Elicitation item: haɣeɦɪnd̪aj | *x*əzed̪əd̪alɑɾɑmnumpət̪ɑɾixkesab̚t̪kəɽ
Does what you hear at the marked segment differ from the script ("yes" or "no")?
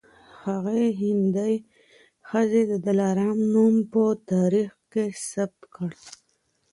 no